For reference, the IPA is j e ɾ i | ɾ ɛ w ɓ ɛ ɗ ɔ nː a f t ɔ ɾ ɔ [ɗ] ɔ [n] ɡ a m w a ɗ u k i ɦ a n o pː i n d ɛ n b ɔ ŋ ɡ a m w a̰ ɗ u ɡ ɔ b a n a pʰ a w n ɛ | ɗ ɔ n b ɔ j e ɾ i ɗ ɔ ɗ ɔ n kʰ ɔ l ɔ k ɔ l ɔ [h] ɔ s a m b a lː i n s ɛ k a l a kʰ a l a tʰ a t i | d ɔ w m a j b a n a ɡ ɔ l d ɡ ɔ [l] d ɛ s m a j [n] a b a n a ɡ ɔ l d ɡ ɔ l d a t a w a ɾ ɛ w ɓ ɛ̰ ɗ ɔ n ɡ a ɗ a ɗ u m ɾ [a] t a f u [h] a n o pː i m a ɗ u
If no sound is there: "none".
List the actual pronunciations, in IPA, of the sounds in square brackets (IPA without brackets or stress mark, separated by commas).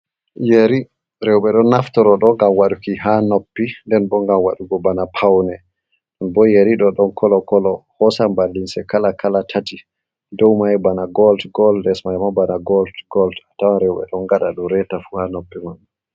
ɗ, ŋ, h, l, m, ɛ, h